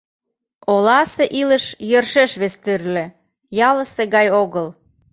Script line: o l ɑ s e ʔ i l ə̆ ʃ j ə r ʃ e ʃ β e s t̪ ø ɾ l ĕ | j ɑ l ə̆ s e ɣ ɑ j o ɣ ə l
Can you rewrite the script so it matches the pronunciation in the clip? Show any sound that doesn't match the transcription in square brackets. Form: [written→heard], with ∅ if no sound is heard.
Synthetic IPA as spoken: o l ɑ s e ʔ i l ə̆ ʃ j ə r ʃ e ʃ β e s t̪ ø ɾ l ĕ | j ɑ l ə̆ s e ɣ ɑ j o ɣ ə l